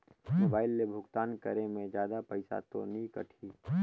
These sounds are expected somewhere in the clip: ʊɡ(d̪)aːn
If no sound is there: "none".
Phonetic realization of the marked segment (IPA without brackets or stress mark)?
t̪